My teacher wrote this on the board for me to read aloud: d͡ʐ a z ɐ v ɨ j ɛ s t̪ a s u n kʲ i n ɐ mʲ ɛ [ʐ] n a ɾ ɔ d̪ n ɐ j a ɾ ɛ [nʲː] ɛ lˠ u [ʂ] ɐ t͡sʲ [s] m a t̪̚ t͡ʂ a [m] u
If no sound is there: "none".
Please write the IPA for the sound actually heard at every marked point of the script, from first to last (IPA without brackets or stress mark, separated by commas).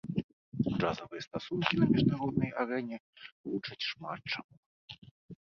ʐ, nʲ, t͡ʂ, ʂ, m